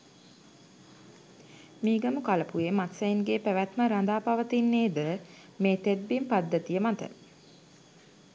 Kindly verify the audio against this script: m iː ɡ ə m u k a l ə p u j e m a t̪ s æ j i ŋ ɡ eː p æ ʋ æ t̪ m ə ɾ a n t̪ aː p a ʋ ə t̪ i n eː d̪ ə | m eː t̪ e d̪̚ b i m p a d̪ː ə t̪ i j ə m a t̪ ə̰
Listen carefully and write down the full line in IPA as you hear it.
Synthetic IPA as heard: m iː ɡ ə m u k a l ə p u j e m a t̪ s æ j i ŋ ɡ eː p æ ʋ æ t̪ m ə ɾ a n d̪ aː p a ʋ ə t̪ i nː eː d̪ ə | m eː t̪ e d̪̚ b i m p a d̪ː ə t̪ i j ə m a t̪ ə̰